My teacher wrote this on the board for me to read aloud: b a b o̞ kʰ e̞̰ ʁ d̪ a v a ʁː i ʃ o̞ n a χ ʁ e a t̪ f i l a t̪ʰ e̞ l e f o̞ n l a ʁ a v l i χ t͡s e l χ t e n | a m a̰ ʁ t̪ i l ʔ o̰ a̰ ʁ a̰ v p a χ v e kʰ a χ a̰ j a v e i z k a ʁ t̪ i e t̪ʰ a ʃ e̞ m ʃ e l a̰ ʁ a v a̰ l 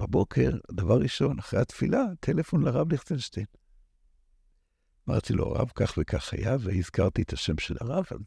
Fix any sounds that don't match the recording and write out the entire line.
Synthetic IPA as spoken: b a b o̞ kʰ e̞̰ ʁ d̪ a v a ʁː i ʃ o̞ n a χ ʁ e a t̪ f i l a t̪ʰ e̞ l e f o̞ n l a ʁ a v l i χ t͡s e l ʃ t e n | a m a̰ ʁ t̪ i l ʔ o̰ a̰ ʁ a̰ v k a χ v e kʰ a χ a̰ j a v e i z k a ʁ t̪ i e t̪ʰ a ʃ e̞ m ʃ e l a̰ ʁ a v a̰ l